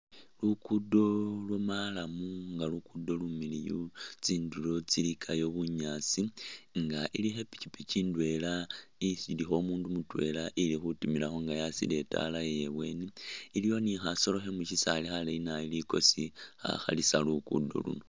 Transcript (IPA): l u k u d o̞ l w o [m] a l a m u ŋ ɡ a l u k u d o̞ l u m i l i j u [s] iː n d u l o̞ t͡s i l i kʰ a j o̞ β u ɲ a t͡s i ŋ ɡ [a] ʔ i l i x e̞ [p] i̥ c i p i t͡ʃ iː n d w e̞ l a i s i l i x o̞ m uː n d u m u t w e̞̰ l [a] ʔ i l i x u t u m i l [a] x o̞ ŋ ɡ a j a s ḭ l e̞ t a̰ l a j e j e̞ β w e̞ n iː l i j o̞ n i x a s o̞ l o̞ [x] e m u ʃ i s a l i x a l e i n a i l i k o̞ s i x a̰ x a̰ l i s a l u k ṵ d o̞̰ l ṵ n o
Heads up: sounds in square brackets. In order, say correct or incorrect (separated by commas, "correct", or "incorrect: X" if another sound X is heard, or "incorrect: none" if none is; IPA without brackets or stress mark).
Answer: correct, incorrect: t͡s, correct, correct, correct, correct, correct